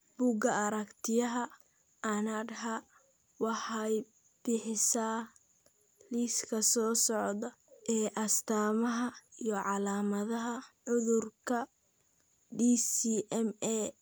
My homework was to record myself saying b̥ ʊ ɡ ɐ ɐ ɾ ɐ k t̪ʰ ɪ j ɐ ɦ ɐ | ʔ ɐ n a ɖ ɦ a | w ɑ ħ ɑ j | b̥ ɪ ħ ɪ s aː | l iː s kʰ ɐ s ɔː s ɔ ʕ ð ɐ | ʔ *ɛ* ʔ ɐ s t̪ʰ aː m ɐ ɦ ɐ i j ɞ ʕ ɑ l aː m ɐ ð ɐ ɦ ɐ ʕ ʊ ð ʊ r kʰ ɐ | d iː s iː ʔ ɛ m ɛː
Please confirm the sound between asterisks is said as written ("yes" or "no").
no